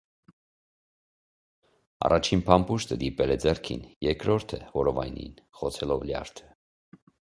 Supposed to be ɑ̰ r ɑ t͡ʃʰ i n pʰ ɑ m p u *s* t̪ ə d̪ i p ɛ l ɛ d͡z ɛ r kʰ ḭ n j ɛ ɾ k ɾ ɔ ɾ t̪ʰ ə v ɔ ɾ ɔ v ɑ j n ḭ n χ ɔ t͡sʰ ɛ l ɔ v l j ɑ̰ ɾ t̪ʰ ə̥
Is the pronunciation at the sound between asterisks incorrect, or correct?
incorrect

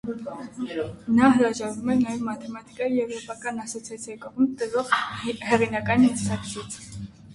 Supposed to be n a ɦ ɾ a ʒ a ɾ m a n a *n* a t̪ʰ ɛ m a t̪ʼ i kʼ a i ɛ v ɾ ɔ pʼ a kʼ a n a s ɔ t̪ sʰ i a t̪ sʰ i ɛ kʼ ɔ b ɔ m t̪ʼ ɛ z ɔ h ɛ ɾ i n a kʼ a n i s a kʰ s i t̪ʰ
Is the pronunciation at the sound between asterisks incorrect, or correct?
incorrect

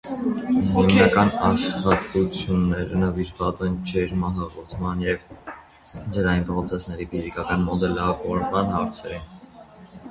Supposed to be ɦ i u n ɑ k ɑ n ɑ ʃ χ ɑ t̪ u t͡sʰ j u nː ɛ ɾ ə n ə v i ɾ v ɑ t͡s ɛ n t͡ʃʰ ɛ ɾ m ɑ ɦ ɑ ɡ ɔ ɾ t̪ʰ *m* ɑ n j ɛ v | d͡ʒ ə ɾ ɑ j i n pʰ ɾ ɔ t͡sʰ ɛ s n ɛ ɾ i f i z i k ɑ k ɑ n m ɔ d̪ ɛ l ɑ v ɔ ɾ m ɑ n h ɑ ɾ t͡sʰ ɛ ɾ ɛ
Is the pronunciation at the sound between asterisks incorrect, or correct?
correct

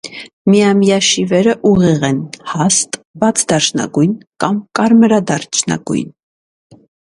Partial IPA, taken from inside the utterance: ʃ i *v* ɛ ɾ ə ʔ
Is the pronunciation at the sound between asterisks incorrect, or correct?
correct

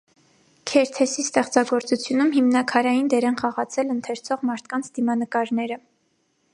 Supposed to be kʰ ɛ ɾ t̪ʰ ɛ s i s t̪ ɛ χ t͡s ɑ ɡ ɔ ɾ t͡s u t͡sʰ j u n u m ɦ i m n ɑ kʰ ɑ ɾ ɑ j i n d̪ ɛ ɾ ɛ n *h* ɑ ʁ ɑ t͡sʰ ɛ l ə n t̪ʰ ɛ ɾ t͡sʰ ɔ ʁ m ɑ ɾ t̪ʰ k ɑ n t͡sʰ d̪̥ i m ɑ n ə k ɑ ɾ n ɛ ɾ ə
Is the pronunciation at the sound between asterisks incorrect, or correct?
incorrect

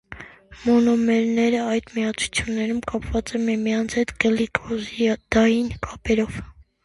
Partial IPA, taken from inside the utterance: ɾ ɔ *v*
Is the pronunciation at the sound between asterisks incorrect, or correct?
correct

